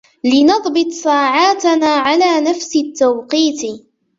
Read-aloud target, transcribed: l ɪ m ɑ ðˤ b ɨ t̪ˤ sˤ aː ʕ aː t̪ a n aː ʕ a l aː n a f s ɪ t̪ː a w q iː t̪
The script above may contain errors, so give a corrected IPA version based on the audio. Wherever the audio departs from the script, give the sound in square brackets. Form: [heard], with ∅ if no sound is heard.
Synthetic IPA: l ɪ [n] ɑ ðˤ b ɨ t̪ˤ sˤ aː ʕ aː t̪ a n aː ʕ a l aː n a f s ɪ t̪ː a w q iː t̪